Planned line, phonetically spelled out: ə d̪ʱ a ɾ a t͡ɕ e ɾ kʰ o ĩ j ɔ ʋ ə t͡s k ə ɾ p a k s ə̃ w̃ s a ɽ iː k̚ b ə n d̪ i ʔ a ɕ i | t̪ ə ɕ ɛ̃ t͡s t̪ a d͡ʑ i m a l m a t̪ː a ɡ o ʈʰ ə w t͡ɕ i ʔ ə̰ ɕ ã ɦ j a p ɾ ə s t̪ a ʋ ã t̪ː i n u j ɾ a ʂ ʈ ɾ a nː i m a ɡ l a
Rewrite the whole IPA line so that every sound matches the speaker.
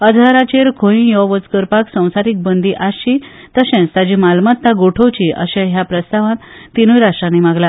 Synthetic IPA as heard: ə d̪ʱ a ɾ a t͡ɕ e ɾ kʰ o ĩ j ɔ ʋ ə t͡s k ə ɾ p a k s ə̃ w̃ s a ɾ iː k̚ b ə n d̪ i ʔ a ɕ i | t̪ ə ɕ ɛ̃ t͡s t̪ a d͡ʑ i m a l m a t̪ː a ɡ o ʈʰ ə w t͡ɕ i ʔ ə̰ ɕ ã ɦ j a p ɾ ə s t̪ a ʋ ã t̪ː i n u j ɾ a ʂ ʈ ɾ a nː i m a ɡ l a